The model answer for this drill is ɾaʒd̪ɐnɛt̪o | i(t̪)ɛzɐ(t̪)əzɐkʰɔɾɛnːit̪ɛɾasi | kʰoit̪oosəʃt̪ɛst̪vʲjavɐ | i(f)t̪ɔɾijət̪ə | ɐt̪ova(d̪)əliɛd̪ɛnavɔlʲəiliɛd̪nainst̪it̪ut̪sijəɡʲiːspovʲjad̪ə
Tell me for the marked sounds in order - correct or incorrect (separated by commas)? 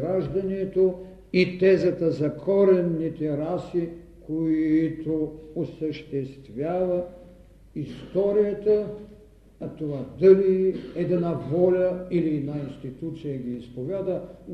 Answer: correct, correct, incorrect, correct